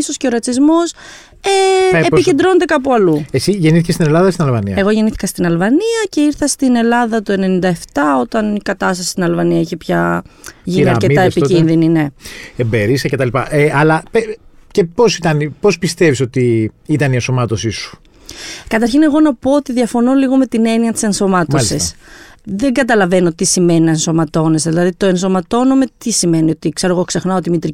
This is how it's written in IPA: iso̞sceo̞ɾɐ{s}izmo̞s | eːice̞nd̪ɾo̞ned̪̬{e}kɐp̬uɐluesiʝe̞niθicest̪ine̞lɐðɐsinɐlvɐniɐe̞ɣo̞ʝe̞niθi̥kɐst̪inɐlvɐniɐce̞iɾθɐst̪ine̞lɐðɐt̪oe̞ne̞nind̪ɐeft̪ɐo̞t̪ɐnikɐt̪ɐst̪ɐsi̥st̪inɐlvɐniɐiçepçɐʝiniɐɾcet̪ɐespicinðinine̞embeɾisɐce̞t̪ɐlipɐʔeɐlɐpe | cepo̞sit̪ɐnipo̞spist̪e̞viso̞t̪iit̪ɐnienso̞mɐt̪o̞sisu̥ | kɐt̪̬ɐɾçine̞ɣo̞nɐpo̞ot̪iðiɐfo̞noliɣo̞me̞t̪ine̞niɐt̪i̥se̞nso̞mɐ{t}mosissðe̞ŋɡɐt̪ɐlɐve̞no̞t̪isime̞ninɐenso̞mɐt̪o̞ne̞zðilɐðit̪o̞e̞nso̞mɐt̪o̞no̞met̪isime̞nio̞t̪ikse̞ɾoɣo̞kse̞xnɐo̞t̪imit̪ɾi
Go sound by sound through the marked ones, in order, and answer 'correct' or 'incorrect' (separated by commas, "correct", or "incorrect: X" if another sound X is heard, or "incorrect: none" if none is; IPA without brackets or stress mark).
incorrect: t͡s, correct, correct